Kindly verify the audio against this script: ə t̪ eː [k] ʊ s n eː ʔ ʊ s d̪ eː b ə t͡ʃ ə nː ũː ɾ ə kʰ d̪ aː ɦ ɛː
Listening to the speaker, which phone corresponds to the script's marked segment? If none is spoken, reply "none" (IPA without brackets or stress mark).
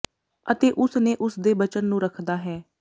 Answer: ʔ